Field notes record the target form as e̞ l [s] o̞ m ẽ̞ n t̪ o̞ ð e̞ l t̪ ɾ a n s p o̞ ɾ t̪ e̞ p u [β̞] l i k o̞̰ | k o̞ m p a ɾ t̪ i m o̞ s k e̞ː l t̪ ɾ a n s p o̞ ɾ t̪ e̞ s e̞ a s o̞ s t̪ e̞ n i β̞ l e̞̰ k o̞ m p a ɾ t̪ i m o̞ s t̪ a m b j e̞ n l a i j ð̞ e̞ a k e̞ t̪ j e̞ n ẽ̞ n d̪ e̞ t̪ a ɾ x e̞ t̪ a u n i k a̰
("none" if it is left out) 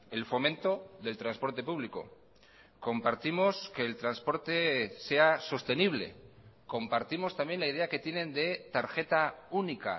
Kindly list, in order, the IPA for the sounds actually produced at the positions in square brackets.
f, β̞

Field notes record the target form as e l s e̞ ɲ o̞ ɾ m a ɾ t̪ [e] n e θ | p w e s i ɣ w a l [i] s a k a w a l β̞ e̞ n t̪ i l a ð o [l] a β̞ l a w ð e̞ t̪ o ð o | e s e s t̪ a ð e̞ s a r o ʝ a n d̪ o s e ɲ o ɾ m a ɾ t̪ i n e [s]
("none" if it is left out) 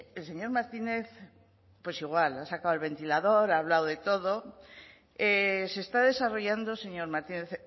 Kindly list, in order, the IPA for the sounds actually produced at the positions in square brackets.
i, a, ɾ, θ

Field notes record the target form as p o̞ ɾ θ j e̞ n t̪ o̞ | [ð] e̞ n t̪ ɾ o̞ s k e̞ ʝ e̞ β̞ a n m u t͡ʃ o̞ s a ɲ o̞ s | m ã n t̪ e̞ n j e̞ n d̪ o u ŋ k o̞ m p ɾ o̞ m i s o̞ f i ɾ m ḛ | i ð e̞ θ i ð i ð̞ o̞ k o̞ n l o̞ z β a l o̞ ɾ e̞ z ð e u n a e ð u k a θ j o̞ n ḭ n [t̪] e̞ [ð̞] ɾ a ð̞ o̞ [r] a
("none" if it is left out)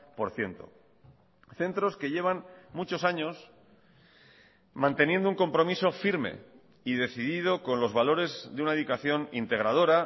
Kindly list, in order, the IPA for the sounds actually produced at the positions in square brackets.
θ, t̪, ɣ̞, ɾ

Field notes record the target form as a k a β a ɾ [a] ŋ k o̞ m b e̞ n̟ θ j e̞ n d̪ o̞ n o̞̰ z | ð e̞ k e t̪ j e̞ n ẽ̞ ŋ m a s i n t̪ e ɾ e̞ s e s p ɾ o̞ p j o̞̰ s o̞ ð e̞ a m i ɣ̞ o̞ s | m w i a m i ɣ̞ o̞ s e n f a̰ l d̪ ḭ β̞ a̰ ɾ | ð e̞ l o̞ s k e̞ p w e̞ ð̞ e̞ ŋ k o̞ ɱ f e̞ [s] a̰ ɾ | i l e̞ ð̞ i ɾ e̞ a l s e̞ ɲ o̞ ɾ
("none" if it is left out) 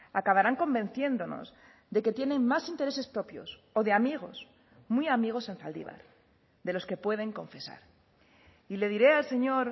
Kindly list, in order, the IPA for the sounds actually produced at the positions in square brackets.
a, s

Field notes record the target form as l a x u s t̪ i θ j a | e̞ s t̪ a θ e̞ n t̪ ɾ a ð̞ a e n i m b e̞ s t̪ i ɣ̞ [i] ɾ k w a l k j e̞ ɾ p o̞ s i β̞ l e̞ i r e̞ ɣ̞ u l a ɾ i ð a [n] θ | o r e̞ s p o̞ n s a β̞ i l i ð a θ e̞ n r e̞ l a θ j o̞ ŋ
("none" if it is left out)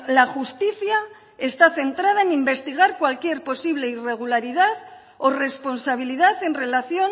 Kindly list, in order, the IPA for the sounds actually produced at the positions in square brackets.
a, none

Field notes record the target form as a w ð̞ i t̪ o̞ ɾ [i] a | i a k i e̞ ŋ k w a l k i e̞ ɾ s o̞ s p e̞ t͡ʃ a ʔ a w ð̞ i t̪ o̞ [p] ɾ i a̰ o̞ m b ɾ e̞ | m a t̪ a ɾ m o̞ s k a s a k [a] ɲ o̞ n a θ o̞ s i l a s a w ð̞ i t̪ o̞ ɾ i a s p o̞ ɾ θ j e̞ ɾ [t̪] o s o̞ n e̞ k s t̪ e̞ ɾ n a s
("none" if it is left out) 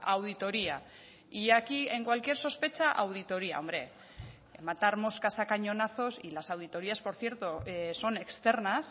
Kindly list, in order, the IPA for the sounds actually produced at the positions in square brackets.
i, none, a, t̪

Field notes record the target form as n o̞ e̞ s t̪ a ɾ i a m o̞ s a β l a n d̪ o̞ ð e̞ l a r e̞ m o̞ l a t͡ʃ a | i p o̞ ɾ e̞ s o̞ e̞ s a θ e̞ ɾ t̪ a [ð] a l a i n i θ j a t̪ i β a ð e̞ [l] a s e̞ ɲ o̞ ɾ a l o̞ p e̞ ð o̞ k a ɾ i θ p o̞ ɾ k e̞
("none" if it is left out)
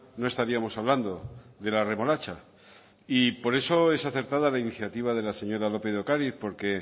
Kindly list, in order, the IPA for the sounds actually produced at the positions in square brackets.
ð, l

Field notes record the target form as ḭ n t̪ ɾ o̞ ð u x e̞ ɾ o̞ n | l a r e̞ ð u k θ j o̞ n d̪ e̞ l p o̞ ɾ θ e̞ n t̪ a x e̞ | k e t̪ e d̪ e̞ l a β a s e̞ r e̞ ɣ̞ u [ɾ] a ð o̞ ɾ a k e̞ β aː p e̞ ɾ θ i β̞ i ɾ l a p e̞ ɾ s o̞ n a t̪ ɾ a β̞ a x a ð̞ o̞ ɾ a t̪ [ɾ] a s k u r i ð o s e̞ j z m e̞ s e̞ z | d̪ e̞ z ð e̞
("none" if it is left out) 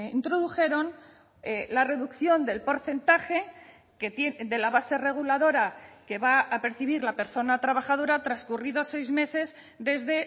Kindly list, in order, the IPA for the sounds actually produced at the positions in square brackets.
l, ɾ

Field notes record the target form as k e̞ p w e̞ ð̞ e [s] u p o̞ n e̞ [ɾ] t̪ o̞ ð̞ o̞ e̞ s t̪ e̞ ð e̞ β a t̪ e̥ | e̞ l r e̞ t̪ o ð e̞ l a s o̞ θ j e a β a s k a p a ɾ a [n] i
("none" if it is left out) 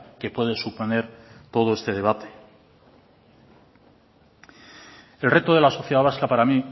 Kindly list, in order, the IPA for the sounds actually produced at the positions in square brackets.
s, ɾ, m

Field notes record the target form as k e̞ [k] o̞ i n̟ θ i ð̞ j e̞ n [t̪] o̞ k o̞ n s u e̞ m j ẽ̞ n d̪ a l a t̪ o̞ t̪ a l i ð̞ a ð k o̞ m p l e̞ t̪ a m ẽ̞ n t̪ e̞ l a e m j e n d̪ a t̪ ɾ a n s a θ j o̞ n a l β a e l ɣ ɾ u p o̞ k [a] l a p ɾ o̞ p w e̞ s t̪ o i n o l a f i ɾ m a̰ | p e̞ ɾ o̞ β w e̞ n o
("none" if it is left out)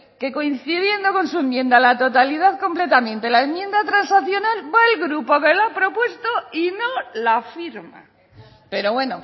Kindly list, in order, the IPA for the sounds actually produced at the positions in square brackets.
k, d̪, e

